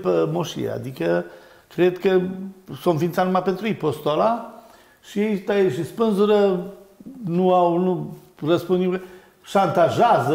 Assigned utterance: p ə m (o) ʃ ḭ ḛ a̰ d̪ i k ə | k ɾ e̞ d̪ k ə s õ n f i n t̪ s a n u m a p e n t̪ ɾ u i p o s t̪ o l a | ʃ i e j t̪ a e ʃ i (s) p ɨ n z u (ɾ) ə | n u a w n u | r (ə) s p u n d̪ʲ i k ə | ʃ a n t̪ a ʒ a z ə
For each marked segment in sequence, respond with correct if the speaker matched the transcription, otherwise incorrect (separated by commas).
correct, correct, correct, correct